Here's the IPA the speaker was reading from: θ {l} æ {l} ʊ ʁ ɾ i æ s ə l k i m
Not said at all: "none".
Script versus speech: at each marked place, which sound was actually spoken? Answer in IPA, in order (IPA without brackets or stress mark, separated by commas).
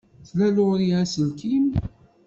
l, l